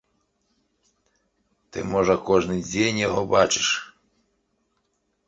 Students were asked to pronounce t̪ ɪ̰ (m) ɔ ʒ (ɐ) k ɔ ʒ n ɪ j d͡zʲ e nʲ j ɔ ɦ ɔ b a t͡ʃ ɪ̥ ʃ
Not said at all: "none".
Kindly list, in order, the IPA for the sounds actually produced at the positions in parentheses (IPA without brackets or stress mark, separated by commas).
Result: m, ɐ